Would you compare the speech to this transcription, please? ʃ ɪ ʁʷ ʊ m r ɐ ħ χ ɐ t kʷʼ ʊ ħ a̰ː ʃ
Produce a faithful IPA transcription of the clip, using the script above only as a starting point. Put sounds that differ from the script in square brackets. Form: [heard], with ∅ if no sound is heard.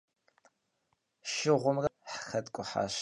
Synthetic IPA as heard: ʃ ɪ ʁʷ ʊ m r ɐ ħ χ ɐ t kʷʼ ʊ ħ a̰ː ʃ

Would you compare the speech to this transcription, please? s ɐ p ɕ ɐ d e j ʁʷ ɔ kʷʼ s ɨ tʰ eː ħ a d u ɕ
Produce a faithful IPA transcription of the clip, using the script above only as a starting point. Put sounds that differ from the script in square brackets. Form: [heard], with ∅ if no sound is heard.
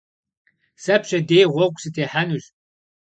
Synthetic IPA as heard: s ɐ p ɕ ɐ d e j ʁʷ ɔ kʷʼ s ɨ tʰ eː ħ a [n] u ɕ

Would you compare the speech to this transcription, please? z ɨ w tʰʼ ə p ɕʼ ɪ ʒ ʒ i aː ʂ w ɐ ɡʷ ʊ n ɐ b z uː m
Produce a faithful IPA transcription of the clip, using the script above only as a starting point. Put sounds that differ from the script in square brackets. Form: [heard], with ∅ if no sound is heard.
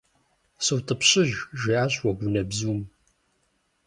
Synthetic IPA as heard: [s] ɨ w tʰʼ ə p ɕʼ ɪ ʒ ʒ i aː [ɕ] w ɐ ɡʷ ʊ n ɐ b z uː m

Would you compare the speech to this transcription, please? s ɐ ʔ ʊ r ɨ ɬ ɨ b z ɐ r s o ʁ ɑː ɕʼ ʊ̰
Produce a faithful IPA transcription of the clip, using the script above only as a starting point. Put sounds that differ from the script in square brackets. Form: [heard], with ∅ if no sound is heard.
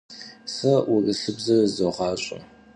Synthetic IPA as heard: s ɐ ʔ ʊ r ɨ ɬ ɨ b z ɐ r [z] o ʁ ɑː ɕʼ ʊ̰

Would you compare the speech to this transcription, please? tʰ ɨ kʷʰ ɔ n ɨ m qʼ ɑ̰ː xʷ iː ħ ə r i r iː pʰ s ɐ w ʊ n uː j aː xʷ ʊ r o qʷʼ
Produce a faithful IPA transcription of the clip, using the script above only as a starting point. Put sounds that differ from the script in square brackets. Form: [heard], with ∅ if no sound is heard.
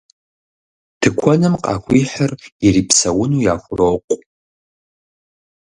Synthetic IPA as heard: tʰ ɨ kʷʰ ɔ n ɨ m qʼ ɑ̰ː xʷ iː ħ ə r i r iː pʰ s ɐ w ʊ n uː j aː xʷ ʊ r o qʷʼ

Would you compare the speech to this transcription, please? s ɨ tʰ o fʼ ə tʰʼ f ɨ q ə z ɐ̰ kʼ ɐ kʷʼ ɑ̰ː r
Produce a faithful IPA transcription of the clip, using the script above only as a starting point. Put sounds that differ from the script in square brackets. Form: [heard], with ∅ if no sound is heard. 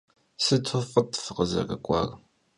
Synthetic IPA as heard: s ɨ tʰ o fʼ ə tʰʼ f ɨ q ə z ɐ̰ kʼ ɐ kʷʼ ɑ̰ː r

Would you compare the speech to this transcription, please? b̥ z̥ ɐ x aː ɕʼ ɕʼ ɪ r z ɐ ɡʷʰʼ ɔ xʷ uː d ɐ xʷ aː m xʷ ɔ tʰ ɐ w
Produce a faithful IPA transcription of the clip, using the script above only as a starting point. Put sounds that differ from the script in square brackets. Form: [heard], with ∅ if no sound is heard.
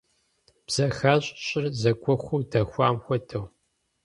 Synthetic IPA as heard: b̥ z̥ ɐ x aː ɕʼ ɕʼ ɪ r z ɐ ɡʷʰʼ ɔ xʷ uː d ɐ xʷ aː m xʷ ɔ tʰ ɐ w

